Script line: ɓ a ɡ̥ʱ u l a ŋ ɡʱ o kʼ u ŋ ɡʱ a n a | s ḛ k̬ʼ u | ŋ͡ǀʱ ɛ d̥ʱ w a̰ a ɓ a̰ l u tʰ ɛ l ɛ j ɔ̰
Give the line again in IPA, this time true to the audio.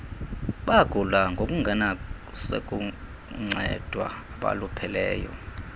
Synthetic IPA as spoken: ɓ a ɡ̥ʱ u l a ŋ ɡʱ o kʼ u ŋ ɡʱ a n a | s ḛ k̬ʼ u | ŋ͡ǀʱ ɛ d̥ʱ w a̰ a ɓ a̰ l u pʰ ɛ l ɛː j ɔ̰